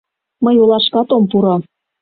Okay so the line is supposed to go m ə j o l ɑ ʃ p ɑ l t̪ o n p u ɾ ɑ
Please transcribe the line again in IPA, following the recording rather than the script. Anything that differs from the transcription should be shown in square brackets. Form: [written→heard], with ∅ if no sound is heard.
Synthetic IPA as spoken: m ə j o l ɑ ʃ [p→k] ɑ [l→∅] t̪ o [n→m] p u ɾ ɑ